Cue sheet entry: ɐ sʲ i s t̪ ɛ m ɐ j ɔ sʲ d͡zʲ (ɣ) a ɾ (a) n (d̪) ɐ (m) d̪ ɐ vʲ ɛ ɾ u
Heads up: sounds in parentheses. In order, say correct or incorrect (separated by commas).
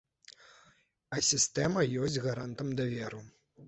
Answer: correct, correct, incorrect, correct